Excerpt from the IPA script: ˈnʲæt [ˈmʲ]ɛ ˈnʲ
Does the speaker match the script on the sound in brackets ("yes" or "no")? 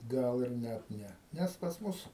no